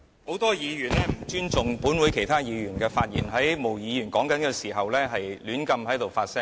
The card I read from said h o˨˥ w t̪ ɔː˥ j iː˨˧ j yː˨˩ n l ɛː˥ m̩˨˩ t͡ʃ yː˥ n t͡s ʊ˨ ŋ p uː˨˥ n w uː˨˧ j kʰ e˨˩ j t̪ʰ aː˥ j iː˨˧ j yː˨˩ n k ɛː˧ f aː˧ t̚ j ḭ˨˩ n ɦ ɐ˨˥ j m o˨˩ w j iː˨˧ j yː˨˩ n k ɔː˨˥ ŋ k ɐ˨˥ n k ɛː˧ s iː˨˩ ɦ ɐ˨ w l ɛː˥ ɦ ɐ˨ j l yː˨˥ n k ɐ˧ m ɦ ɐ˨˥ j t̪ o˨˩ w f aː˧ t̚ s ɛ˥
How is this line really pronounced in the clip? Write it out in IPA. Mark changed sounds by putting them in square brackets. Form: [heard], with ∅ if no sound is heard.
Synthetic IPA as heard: h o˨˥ w t̪ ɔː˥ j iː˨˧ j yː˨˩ n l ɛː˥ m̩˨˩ t͡ʃ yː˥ n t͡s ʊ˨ ŋ p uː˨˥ n w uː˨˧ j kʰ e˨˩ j t̪ʰ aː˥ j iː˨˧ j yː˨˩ n k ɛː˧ f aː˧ t̚ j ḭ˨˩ n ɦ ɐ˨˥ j m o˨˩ w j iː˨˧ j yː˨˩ n k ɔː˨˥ ŋ k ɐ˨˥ n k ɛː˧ s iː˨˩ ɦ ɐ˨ w l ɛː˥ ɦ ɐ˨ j l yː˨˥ n k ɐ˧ m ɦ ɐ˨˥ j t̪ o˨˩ w f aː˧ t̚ s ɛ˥